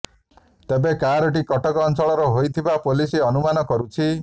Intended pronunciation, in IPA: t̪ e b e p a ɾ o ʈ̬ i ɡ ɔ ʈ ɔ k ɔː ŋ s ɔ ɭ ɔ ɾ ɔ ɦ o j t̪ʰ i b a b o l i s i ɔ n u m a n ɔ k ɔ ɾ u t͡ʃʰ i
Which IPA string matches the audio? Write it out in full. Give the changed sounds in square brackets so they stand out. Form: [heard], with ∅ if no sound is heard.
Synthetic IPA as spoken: t̪ e b e [k] a ɾ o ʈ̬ i [k] ɔ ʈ ɔ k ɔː [n] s ɔ ɭ ɔ ɾ ɔ ɦ o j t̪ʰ i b a [p] o l i s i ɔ n u m a n ɔ k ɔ ɾ u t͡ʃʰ i